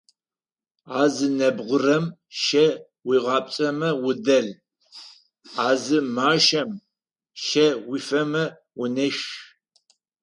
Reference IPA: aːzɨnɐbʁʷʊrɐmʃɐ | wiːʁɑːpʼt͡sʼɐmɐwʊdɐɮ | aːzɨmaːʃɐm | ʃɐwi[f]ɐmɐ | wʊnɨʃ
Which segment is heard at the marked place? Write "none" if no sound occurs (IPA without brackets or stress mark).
f